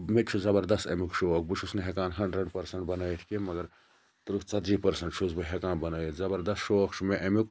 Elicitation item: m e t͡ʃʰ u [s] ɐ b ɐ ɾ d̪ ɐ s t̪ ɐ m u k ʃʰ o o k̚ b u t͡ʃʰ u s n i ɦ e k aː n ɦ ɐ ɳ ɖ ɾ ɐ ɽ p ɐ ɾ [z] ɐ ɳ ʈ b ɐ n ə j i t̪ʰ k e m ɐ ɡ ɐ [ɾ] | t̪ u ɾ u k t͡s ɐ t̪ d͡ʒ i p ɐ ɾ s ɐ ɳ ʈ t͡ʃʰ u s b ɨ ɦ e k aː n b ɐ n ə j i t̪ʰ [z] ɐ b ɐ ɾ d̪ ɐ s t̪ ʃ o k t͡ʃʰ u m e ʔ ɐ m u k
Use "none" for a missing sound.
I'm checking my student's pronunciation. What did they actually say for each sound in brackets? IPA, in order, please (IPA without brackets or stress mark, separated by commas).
z, s, ɾ, z